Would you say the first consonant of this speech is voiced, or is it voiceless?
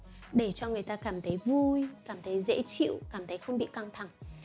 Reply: voiced